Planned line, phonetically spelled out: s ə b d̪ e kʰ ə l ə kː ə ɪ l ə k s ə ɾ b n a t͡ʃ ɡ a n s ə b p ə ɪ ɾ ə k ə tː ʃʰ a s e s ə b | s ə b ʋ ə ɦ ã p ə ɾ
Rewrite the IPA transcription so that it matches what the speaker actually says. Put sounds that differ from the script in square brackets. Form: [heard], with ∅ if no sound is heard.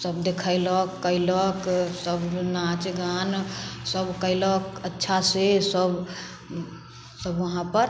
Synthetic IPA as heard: s ə b d̪ e kʰ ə l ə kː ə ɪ l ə k s ə [∅] b n a t͡ʃ ɡ a n s ə b [k] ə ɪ [l] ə k ə tː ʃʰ a s e s ə b | s ə b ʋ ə ɦ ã p ə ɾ

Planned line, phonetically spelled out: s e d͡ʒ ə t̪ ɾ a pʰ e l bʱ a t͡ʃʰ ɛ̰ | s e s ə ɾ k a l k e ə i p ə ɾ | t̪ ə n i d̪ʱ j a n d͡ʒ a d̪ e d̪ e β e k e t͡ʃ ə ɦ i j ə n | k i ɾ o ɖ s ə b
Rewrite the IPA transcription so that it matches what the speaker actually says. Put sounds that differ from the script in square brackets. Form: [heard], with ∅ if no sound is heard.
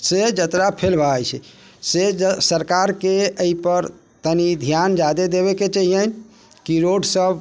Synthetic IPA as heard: s e d͡ʒ ə t̪ ɾ a pʰ e l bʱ a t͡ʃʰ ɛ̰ | s e s ə ɾ k a [ɾ] k e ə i p ə ɾ | t̪ ə n i d̪ʱ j a n d͡ʒ a d̪ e d̪ e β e k e t͡ʃ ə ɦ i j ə n | k i ɾ o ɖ s ə b

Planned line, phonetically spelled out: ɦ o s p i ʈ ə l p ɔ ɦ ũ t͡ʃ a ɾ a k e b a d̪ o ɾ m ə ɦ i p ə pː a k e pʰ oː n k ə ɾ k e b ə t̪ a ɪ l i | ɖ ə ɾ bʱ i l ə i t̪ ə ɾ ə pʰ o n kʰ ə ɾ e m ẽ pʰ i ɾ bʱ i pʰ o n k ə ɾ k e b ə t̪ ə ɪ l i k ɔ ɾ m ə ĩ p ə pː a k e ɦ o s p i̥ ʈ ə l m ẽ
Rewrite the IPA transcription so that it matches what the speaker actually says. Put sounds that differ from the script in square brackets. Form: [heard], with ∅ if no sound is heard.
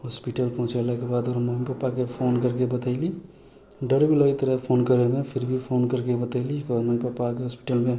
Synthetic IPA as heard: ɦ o s p i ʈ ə l p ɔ ɦ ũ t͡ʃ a [l] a k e b a d̪ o ɾ m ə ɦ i p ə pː a k e pʰ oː n k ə ɾ k e b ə t̪ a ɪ l i | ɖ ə ɾ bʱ i l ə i t̪ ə ɾ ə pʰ o n [k] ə ɾ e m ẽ pʰ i ɾ bʱ i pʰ o n k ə ɾ k e b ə t̪ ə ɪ l i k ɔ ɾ m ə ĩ p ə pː a k e ɦ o s p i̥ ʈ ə l m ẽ

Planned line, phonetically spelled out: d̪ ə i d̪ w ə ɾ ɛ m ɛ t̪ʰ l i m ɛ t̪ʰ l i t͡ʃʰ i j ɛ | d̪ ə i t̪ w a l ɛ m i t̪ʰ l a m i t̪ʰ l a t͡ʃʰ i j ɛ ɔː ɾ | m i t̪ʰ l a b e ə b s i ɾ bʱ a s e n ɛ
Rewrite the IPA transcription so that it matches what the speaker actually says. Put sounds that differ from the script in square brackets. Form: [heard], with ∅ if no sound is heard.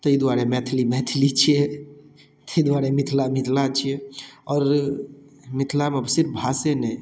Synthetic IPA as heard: [t̪] ə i d̪ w [a] ɾ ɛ m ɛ t̪ʰ l i m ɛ t̪ʰ l i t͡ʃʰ i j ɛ | [t̪] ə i [d̪] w a [ɾ] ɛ m i t̪ʰ l a m i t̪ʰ l a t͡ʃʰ i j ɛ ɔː ɾ | m i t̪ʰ l a [m] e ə b s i ɾ bʱ a s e n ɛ

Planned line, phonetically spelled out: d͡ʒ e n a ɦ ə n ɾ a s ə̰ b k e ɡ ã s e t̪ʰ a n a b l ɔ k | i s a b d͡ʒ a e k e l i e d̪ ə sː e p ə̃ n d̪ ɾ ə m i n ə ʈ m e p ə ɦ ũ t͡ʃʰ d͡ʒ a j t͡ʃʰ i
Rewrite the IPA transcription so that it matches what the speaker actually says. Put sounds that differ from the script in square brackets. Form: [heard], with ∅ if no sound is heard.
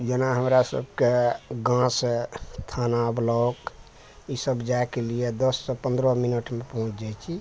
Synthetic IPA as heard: d͡ʒ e n a ɦ ə [m] ɾ a s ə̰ b k e ɡ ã s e t̪ʰ a n a b l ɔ k | i s [ə] b d͡ʒ a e k e l i e d̪ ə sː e p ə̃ n d̪ ɾ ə m i n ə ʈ m e p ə ɦ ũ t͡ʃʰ d͡ʒ a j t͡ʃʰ i

